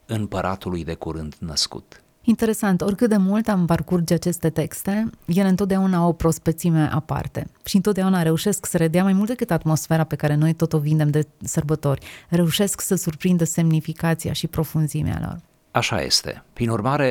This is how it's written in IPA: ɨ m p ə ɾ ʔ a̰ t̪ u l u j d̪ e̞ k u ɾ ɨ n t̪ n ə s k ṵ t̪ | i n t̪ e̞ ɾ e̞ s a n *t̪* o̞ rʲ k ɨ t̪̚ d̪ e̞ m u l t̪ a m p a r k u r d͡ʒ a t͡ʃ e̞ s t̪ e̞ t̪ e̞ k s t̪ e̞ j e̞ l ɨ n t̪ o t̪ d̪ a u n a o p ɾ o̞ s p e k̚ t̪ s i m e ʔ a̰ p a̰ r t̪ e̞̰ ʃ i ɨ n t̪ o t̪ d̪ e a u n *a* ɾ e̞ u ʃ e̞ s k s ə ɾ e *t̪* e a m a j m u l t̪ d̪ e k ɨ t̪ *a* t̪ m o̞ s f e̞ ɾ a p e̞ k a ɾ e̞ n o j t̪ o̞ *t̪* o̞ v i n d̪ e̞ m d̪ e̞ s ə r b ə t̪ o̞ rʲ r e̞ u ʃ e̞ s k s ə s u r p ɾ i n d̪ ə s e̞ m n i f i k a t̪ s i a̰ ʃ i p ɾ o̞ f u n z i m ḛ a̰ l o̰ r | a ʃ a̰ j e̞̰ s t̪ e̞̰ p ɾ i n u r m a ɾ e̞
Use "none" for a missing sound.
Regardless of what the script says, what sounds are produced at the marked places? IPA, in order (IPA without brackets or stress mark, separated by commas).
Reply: t̪, a, d̪, a, t̪